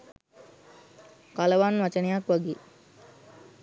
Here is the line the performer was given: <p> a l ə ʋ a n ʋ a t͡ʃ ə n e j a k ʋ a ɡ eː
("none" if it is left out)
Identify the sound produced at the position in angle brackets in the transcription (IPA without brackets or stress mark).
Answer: k